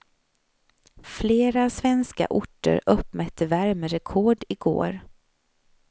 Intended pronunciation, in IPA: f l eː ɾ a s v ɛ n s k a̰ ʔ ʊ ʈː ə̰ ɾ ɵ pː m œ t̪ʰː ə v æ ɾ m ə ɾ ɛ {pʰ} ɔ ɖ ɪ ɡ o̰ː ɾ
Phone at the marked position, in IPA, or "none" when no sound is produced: kʰ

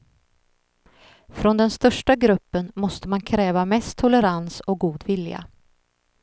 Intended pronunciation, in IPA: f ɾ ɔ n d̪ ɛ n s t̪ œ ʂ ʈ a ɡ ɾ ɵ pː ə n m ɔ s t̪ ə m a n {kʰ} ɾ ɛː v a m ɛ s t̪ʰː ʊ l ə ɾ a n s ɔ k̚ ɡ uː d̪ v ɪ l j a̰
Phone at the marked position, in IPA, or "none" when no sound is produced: kʰ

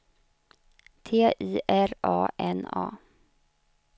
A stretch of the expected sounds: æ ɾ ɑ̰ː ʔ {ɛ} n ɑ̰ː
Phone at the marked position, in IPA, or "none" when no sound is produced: ɛ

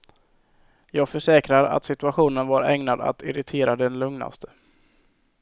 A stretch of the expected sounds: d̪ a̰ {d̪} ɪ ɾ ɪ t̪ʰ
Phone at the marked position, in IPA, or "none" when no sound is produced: t̪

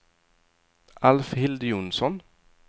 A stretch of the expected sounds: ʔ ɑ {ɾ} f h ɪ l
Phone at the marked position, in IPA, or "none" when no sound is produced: l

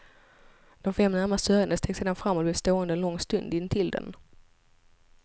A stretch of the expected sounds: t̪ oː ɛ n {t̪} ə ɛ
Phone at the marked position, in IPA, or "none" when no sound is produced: d̪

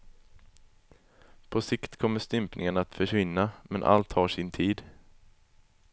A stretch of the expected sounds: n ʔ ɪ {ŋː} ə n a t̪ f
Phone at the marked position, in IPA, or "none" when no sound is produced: ŋ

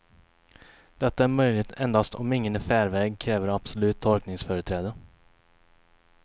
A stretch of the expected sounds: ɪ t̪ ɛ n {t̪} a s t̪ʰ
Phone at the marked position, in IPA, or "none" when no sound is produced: d̪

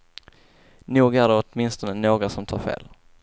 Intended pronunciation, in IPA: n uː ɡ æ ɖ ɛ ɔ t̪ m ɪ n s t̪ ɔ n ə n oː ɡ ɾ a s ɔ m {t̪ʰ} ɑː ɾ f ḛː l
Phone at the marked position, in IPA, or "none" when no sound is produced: t̪ʰ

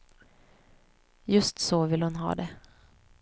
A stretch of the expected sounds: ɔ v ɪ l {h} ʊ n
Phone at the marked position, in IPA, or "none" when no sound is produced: h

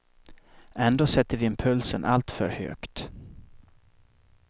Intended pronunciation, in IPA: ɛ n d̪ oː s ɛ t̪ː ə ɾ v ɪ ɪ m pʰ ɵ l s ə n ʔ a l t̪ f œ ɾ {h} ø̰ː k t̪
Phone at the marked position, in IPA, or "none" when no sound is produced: h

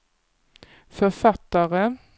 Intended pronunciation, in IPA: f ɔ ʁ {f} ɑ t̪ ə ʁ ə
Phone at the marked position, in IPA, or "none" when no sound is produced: f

